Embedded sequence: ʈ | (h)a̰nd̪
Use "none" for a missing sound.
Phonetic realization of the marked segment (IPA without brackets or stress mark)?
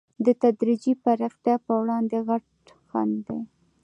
x